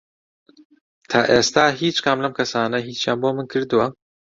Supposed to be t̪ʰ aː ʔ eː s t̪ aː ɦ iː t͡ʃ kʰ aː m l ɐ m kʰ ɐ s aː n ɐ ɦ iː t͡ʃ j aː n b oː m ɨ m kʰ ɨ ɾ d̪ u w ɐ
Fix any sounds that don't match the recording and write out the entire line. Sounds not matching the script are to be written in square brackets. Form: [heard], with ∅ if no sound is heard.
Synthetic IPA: t̪ʰ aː ʔ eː s t̪ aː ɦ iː t͡ʃ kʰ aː m l ɐ m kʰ ɐ s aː n ɐ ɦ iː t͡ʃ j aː n b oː m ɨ [n] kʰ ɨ ɾ d̪ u w ɐ